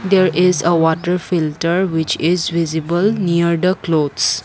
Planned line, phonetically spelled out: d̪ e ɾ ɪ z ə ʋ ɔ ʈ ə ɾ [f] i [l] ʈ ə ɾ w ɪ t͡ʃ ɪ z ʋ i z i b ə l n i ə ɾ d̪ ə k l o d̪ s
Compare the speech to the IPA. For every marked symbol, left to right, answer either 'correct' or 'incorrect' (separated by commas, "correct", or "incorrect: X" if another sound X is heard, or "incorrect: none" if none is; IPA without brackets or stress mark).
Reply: correct, correct